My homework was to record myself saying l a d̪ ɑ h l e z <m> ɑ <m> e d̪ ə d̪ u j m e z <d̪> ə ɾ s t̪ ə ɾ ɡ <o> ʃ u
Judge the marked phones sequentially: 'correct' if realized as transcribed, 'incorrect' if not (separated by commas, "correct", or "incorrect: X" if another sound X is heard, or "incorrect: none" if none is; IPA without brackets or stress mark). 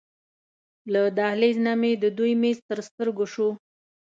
incorrect: n, correct, incorrect: t̪, correct